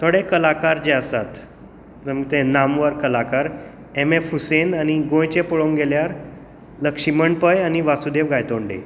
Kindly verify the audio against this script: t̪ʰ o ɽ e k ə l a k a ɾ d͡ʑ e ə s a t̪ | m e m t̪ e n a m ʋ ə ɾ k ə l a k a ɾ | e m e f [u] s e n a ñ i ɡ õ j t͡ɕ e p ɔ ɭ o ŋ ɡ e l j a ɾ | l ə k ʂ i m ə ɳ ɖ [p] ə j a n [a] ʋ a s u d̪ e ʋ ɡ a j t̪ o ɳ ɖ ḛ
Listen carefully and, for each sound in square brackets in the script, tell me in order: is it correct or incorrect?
correct, correct, incorrect: i

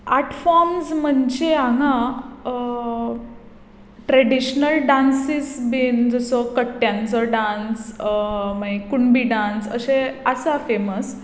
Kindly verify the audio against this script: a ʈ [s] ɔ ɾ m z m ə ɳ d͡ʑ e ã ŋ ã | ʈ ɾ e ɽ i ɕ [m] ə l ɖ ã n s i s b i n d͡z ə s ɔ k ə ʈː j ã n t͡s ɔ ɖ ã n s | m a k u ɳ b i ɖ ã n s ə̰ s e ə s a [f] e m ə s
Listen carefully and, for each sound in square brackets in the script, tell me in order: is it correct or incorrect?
incorrect: f, incorrect: n, correct

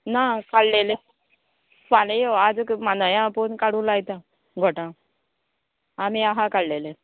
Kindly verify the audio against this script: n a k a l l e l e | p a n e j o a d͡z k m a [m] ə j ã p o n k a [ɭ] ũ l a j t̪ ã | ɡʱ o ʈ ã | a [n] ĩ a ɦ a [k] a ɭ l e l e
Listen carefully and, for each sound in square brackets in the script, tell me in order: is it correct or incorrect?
incorrect: n, incorrect: ɽ, incorrect: m, correct

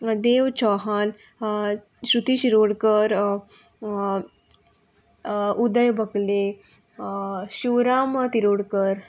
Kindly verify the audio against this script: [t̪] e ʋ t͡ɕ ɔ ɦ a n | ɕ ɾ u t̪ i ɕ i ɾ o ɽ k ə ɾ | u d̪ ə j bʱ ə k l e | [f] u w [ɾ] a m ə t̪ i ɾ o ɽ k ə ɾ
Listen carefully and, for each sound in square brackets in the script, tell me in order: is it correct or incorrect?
incorrect: d̪, incorrect: ɕ, correct

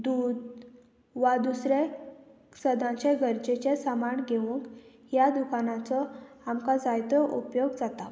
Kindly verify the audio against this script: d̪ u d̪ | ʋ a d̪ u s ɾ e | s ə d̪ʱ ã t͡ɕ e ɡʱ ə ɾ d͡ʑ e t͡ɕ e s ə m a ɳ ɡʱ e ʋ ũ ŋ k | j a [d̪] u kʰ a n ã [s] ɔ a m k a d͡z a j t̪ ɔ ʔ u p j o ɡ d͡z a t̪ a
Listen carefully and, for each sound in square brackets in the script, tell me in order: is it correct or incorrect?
correct, incorrect: t͡s

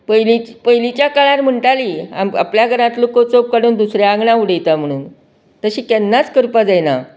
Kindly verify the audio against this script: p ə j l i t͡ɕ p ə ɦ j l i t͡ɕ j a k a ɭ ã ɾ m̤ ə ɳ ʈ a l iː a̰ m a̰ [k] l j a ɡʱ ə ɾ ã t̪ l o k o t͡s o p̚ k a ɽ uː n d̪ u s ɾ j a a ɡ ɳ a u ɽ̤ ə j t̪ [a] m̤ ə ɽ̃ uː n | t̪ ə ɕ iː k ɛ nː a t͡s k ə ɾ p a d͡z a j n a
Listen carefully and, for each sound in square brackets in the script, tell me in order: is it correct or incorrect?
incorrect: p, correct

